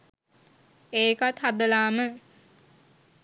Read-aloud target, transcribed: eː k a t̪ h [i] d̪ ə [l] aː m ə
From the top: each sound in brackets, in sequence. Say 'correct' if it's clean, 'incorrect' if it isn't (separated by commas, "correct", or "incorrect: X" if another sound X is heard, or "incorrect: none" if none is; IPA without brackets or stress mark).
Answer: incorrect: a, correct